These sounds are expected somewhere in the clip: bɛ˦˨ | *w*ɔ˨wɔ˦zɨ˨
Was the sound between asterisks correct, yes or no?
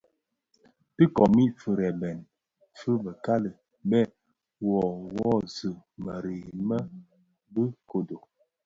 yes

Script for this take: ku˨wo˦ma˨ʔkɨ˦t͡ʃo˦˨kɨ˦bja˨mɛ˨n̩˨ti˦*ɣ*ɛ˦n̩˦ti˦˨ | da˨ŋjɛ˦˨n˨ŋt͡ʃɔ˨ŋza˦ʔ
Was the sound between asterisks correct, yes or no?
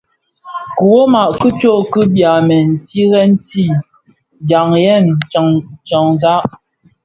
yes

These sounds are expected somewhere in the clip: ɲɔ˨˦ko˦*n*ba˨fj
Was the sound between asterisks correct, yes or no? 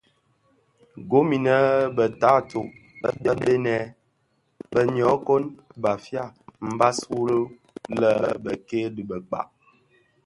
yes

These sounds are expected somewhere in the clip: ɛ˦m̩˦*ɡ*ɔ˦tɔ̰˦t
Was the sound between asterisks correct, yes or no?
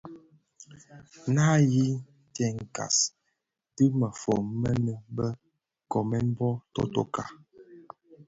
no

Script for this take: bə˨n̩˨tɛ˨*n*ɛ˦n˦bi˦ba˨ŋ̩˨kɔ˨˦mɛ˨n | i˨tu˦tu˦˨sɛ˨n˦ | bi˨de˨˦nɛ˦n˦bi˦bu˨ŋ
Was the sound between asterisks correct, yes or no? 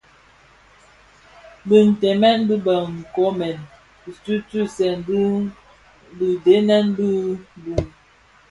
no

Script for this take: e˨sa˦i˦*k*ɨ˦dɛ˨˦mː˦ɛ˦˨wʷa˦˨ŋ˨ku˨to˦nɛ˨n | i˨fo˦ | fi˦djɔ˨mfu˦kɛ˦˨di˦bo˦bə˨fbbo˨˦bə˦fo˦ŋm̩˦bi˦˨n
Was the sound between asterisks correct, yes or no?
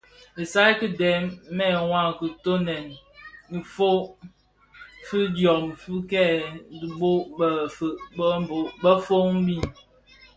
yes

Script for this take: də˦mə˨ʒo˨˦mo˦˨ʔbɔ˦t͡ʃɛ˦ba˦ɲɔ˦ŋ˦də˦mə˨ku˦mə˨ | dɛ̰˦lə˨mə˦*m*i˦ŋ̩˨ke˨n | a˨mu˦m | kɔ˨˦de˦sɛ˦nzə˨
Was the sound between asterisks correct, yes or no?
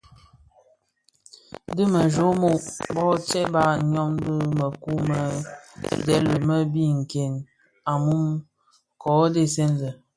no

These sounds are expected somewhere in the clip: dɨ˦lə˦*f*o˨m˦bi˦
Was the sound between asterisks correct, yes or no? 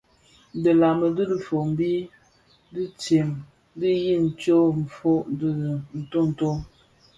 yes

